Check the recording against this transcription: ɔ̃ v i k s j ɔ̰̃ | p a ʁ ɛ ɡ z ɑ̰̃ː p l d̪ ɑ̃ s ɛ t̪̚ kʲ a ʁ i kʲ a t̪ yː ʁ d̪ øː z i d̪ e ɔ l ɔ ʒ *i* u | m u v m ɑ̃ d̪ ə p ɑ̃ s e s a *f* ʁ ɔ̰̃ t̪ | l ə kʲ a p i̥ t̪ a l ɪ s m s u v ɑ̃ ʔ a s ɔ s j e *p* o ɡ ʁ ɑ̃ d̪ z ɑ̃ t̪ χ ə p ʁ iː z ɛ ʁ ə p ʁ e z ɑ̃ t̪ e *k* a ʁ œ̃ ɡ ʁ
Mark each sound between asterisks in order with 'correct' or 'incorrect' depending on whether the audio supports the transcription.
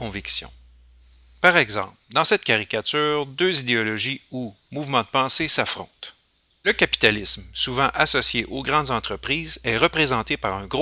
correct, correct, incorrect: ʔ, incorrect: p

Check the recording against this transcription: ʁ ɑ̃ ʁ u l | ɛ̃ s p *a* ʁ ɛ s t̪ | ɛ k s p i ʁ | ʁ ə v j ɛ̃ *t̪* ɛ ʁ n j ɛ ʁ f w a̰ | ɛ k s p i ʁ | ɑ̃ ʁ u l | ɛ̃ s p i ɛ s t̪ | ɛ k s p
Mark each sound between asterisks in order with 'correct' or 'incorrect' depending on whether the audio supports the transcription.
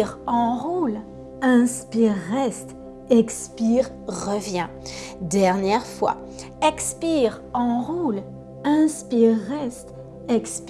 incorrect: i, incorrect: d̪

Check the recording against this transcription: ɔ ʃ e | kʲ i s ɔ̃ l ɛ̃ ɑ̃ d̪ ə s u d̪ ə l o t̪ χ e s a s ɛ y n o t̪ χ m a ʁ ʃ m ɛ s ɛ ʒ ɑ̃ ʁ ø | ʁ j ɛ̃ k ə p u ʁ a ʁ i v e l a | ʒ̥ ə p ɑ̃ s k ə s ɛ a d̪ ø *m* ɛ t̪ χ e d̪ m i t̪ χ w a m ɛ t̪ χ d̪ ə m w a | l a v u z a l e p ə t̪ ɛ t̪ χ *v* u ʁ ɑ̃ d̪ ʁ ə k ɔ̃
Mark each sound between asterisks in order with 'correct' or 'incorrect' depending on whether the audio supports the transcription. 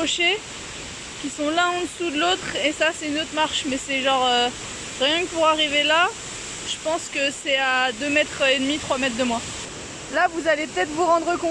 correct, correct

